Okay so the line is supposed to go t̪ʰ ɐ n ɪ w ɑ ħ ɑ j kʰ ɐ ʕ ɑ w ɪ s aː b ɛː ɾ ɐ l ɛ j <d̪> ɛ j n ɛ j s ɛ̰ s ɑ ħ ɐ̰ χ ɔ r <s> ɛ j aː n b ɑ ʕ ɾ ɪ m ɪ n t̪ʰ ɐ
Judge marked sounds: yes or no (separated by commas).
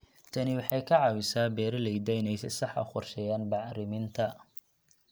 yes, no